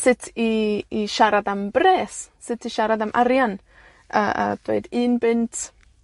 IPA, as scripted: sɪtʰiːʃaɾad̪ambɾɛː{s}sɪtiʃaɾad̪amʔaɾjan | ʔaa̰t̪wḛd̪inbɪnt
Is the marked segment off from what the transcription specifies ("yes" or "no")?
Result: no